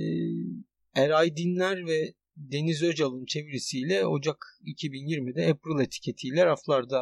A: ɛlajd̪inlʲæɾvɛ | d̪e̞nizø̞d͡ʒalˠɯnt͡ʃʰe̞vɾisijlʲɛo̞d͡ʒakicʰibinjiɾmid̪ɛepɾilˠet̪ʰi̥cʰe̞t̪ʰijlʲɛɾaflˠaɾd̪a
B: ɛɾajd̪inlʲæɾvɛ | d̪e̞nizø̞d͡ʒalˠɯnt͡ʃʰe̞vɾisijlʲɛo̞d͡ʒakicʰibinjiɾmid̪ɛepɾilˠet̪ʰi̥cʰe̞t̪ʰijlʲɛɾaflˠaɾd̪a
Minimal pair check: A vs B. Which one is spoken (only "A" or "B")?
B